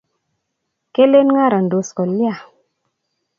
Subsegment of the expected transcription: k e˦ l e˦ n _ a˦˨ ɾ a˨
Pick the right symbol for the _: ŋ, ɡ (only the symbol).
ŋ